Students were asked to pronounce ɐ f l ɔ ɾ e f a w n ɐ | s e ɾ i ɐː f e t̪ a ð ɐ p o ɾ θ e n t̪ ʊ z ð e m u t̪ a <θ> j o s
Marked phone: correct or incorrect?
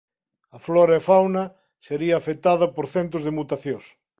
correct